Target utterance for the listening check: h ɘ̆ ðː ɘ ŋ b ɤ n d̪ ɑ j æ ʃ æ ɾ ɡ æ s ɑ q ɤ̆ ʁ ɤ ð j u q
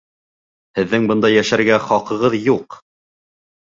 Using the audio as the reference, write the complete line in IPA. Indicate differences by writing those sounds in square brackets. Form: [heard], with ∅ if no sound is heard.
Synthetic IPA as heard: h ɘ̆ ðː ɘ ŋ b ɤ n d̪ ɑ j æ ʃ æ ɾ ɡ æ [χ] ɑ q ɤ̆ ʁ ɤ ð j u q